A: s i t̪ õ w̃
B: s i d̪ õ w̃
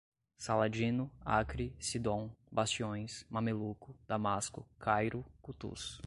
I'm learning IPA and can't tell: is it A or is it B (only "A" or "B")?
B